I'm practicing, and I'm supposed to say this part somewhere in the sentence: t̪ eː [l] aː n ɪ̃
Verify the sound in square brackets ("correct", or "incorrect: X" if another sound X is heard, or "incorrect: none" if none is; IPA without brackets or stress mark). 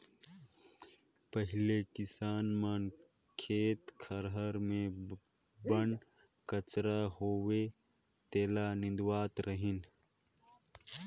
correct